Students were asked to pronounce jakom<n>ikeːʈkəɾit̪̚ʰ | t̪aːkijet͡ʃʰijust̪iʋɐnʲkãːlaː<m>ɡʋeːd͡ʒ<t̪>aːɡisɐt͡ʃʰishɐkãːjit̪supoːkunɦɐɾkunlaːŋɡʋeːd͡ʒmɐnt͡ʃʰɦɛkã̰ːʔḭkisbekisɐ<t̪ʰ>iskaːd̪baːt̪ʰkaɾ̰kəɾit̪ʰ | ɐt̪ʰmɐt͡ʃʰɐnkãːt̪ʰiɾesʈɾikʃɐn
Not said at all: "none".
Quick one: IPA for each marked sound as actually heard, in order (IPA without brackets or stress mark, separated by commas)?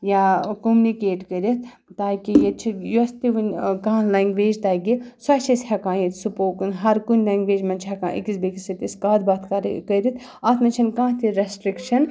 n, ŋ, t̪, t̪